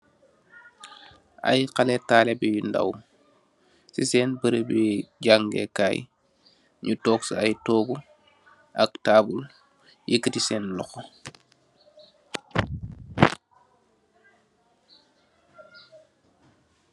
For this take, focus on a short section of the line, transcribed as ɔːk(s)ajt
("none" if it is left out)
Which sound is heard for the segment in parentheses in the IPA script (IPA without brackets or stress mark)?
s